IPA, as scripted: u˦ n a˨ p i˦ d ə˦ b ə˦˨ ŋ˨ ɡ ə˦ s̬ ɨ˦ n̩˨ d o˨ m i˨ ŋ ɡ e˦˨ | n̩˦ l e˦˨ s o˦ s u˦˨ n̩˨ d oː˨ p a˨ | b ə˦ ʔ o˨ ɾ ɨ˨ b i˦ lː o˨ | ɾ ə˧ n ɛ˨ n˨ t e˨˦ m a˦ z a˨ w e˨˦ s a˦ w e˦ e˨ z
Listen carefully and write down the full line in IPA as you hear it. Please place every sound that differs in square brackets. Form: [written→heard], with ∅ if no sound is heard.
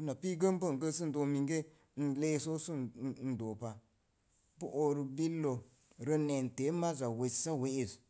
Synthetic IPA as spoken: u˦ n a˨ p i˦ [d→ɡ] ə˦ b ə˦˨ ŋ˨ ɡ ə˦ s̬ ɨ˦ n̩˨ d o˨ m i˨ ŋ ɡ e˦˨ | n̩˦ l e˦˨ s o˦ s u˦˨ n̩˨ d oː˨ p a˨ | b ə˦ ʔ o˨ ɾ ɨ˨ b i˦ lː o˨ | ɾ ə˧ n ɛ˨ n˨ t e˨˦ m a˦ z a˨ w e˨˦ s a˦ w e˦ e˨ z

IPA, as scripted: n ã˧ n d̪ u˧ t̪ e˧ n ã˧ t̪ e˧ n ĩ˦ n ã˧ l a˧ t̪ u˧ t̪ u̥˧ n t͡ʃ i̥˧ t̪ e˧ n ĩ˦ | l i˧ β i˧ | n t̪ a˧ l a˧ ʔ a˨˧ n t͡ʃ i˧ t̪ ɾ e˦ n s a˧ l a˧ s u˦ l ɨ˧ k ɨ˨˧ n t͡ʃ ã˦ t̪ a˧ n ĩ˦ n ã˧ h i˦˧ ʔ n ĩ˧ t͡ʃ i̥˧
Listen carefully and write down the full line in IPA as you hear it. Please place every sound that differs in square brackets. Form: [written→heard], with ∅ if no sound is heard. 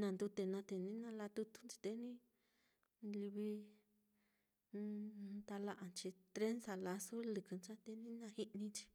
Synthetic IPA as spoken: n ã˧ n d̪ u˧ t̪ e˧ n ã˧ t̪ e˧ n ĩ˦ n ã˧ l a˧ t̪ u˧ t̪ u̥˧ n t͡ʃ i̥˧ t̪ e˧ n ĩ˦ | l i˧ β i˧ | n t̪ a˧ l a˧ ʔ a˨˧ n t͡ʃ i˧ t̪ ɾ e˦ n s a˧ l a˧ s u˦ l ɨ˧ k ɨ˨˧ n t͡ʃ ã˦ t̪ [a˧→e˧] n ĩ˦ n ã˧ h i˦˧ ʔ n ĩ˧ t͡ʃ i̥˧

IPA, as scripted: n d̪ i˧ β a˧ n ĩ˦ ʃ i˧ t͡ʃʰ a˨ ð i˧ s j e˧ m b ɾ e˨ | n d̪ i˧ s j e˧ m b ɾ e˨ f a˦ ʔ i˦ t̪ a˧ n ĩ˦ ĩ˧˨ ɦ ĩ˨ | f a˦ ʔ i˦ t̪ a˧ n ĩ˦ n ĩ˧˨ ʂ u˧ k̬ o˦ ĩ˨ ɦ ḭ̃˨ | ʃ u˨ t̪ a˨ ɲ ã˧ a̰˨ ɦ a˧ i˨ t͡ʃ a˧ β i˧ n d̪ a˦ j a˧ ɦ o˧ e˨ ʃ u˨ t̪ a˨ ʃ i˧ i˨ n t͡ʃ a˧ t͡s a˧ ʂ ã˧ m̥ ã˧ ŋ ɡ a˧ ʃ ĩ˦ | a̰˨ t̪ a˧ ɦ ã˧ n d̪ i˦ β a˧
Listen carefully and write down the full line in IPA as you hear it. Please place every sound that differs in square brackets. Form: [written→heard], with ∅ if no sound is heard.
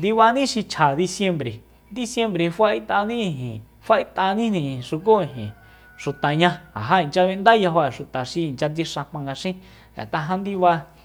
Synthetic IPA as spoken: n d̪ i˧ β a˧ n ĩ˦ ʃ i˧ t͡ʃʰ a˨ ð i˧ s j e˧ m b ɾ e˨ | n d̪ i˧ s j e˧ m b ɾ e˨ f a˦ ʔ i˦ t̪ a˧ n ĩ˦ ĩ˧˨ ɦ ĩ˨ | f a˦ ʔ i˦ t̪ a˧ n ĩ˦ n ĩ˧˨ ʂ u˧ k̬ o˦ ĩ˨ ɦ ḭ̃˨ | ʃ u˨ t̪ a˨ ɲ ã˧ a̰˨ ɦ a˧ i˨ t͡ʃ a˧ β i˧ n d̪ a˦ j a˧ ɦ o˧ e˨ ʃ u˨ t̪ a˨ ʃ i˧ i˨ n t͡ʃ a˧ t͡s [a˧→i˧] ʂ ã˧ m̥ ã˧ ŋ ɡ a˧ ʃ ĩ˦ | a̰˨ t̪ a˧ ɦ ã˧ n d̪ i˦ β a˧

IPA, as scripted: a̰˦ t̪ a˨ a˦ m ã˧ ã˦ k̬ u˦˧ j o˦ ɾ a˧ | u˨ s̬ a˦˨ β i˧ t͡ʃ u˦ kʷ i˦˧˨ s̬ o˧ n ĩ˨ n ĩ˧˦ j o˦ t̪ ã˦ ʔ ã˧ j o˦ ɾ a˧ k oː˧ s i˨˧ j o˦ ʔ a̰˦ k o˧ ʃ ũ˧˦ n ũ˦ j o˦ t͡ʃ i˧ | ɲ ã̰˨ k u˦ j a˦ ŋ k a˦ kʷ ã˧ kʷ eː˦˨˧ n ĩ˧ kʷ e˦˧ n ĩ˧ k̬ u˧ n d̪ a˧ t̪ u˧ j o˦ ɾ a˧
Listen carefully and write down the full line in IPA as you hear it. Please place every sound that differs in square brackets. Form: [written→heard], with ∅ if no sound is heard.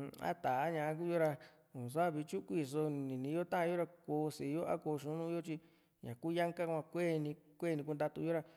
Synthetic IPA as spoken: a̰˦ t̪ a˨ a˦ [m→ɲ] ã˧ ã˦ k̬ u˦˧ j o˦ ɾ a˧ | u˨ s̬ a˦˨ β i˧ t͡ʃ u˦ kʷ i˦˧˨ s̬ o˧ n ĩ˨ n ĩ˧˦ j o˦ t̪ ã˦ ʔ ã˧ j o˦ ɾ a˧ k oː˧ s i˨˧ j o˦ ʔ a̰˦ k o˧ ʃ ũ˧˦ n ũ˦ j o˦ t͡ʃ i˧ | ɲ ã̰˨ k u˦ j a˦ ŋ k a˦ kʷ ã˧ kʷ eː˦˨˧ n ĩ˧ kʷ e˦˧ n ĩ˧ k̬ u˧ n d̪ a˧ t̪ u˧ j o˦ ɾ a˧

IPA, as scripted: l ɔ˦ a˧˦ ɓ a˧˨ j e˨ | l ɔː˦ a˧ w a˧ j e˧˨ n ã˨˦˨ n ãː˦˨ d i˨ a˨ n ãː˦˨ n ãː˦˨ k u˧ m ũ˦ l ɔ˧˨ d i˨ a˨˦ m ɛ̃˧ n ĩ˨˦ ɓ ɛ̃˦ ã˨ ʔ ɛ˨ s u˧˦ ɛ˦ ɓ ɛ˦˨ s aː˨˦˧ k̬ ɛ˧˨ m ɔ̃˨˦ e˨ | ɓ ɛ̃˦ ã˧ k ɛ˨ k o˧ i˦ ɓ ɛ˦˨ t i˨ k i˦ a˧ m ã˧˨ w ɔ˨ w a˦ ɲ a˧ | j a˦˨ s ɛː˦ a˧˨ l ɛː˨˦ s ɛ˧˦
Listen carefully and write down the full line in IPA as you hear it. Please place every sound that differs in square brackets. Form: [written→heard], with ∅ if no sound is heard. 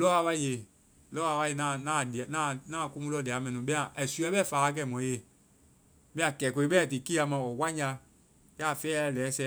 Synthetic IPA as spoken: l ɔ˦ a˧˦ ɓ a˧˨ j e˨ | l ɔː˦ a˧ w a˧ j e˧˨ n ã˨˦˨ n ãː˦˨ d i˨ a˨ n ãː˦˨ n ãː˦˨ k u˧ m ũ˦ l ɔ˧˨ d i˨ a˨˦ m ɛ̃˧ n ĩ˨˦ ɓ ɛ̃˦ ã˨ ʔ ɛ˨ s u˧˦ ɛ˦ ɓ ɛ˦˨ [s→f] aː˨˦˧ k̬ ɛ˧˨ m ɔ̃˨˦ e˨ | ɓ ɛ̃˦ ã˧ k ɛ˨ k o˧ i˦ ɓ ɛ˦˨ t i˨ k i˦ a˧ m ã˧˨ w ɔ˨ w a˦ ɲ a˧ | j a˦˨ [s→f] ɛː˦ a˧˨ l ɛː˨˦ s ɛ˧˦

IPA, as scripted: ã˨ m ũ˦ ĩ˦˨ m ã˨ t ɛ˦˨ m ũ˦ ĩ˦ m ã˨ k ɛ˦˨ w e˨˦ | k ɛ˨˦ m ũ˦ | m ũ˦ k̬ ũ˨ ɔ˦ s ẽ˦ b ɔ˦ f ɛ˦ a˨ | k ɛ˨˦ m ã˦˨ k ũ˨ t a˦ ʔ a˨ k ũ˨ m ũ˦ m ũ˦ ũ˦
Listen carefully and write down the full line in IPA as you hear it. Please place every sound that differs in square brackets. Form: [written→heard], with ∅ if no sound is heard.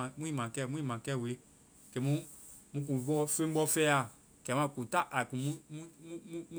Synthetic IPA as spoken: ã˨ m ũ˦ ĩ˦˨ m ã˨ [t→k] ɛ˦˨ m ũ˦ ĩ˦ m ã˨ k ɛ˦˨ w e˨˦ | k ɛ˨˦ m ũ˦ | m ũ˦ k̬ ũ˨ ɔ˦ [s→f] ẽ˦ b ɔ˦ f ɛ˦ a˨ | k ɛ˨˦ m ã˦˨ k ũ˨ t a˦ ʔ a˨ k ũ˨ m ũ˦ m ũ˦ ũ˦

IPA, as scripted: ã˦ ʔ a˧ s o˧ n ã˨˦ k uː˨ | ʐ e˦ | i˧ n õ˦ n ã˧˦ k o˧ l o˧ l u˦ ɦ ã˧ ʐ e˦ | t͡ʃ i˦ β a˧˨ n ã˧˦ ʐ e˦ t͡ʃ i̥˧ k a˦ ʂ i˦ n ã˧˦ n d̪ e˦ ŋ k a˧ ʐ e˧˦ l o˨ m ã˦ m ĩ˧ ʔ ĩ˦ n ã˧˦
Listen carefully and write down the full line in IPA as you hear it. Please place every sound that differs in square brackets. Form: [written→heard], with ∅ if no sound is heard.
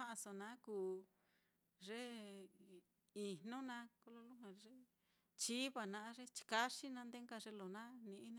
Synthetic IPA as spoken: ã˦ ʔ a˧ s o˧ n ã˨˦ k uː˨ | ʐ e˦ | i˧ n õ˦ n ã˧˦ k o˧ l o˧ l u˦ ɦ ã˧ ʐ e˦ | t͡ʃ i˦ β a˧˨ n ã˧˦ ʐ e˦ t͡ʃ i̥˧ k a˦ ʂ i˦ n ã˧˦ n d̪ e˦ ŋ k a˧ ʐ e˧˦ l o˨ [m→n] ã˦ [m→n] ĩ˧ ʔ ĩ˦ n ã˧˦

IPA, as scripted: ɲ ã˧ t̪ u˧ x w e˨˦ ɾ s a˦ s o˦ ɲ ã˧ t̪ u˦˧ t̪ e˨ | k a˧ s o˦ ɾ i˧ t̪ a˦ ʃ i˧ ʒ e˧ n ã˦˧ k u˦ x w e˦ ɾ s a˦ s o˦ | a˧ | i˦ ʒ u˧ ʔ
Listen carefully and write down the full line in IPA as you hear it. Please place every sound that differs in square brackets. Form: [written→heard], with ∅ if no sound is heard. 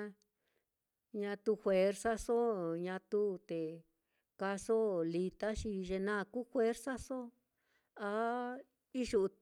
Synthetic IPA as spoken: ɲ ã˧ t̪ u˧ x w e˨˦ ɾ s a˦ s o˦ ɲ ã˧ t̪ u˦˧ t̪ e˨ | k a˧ s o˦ [ɾ→l] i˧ t̪ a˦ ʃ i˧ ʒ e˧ n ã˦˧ k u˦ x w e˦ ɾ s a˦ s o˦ | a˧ | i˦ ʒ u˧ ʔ

